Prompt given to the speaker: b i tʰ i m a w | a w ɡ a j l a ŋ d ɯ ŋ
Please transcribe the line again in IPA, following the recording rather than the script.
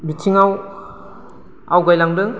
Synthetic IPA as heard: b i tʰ i ŋ a w | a w ɡ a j l a ŋ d ɯ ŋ

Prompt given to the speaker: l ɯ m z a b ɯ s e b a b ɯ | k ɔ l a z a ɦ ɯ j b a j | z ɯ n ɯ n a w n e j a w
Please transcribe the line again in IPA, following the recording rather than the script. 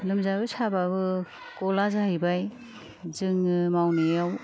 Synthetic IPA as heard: l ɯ m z a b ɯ s a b a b ɯ | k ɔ l a z a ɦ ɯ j b a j | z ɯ ŋ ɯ m a w n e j a w

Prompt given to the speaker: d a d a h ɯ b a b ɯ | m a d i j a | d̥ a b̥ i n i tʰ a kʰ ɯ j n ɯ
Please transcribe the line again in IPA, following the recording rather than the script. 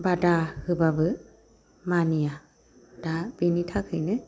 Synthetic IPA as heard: b a d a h ɯ b a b ɯ | m a n i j a | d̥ a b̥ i n i tʰ a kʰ ɯ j n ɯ

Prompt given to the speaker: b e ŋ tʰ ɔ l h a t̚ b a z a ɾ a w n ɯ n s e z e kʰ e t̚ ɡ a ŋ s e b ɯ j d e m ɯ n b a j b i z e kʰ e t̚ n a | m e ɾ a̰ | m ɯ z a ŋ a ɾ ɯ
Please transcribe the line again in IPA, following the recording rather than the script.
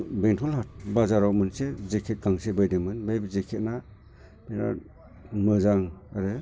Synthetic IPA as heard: b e ŋ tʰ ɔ l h a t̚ b a z a ɾ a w m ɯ n s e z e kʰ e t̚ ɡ a ŋ s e b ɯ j d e m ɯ n b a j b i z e kʰ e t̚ n a | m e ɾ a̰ | m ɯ z a ŋ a ɾ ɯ

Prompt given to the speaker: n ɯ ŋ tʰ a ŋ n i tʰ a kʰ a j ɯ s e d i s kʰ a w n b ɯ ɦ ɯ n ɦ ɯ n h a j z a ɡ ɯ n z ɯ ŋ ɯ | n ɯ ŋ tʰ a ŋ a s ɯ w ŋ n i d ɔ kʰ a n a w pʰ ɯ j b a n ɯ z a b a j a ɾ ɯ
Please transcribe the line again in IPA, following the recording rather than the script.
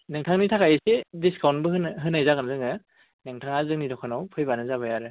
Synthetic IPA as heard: n ɯ ŋ tʰ a ŋ n i tʰ a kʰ a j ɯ s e d i s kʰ a w n b ɯ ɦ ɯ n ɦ ɯ n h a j z a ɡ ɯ n z ɯ ŋ ɯ | n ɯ ŋ tʰ a ŋ a z ɯ ŋ n i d ɔ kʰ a n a w pʰ ɯ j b a n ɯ z a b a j a ɾ ɯ

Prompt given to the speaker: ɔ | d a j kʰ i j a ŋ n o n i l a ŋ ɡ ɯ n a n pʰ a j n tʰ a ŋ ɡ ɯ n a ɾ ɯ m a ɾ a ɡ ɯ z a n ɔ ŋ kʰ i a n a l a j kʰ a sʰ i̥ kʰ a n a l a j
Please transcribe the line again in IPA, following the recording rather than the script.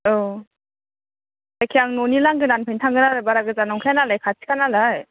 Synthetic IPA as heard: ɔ | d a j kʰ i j a ŋ n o n i l a ŋ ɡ ɯ n a n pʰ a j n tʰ a ŋ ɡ ɯ n a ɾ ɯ b a ɾ a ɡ ɯ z a n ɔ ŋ kʰ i a n a l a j kʰ a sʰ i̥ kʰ a n a l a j

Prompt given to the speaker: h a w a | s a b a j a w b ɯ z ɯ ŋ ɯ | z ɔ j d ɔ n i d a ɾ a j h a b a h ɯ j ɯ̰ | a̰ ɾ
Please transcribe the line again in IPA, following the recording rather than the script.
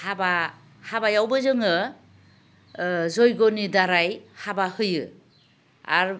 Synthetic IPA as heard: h a b a | h a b a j a w b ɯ z ɯ ŋ ɯ | z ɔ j ɡ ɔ n i d a ɾ a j h a b a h ɯ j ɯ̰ | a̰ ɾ

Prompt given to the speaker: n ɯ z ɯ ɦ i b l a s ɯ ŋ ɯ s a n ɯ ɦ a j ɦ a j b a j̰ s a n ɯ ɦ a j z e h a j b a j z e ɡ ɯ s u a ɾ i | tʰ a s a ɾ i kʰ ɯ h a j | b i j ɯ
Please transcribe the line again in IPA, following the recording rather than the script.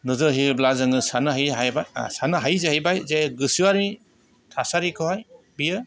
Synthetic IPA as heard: n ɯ z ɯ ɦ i b l a z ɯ ŋ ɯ s a n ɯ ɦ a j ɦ a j b a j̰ s a n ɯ ɦ a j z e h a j b a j z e ɡ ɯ s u a ɾ i | tʰ a s a ɾ i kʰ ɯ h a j | b i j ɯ

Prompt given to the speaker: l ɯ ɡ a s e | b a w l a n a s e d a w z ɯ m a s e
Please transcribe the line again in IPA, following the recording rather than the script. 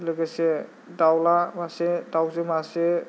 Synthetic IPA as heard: l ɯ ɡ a s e | d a w l a m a s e d a w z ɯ m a s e

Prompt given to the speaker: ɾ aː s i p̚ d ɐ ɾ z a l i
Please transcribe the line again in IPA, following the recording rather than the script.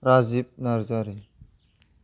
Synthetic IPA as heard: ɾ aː z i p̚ n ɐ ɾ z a ɾ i

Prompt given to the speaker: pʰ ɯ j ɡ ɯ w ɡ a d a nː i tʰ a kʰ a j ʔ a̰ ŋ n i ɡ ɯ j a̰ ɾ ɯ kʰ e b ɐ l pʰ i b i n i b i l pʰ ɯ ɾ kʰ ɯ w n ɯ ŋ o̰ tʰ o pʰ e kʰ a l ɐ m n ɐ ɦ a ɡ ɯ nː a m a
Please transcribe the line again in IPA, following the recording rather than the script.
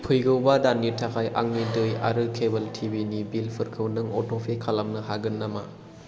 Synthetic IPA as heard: pʰ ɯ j ɡ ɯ w b a d a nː i tʰ a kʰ a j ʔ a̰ ŋ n i d ɯ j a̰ ɾ ɯ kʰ e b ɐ l tʰ i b i n i b i l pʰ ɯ ɾ kʰ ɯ w n ɯ ŋ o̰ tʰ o pʰ e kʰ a l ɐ m n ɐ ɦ a ɡ ɯ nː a m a

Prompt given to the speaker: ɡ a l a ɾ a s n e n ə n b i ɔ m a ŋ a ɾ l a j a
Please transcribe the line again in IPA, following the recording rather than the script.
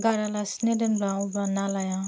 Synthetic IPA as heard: ɡ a ɾ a l a s n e d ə n b a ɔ b a n a l a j a

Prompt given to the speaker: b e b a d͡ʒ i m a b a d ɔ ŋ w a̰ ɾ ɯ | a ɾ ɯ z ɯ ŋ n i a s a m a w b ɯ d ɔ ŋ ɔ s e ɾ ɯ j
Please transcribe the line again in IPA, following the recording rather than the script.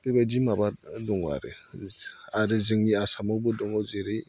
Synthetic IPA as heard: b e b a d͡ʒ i m a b a d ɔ ŋ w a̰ ɾ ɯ | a ɾ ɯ z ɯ ŋ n i a s a m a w b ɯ d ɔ ŋ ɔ z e ɾ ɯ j

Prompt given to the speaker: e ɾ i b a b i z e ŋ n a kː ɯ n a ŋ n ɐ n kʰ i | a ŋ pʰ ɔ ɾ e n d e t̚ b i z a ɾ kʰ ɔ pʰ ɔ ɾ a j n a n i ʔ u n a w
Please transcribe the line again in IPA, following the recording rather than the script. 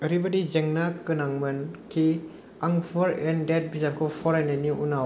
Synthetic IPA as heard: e ɾ i b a d i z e ŋ n a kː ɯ n a ŋ m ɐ n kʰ i | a ŋ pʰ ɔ ɾ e n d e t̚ b i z a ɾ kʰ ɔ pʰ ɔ ɾ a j n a n i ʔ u n a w

